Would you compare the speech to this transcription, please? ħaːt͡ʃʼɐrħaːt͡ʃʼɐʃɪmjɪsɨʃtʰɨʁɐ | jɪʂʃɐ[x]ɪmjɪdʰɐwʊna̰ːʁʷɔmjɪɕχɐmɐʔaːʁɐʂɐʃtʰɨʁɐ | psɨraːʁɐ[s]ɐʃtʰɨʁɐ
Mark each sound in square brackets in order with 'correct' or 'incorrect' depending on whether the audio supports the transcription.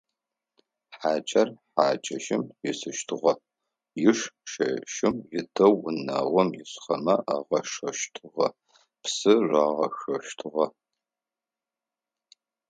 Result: incorrect: ʃ, incorrect: x

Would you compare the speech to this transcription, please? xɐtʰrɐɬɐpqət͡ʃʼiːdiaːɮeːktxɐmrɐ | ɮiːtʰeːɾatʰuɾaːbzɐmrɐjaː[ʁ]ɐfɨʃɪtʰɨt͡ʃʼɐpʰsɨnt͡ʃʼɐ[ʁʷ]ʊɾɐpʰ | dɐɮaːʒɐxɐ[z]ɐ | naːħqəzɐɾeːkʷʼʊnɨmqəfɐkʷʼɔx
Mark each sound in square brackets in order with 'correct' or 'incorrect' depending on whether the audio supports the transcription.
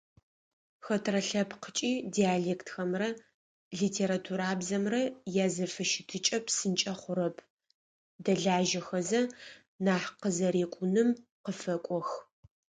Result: incorrect: z, incorrect: χʷ, correct

